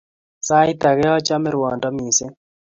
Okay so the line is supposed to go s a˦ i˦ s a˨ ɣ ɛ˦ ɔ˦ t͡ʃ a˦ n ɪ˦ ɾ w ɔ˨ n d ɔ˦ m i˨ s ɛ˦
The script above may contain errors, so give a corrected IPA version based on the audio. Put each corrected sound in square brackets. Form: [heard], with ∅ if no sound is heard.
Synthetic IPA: s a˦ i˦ [t] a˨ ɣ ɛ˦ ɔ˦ t͡ʃ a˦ [m] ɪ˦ ɾ w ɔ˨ n d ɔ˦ m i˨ s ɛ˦